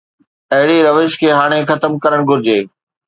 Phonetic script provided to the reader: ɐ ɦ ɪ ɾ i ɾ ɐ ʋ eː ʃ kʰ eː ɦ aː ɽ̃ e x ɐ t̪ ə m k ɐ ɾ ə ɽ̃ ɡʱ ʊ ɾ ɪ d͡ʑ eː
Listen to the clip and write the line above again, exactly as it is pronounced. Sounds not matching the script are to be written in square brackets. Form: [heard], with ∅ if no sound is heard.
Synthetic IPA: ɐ ɦ ɪ [ɽ] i ɾ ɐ ʋ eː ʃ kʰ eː ɦ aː ɽ̃ e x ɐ t̪ ə m k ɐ ɾ ə ɽ̃ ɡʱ ʊ ɾ ɪ d͡ʑ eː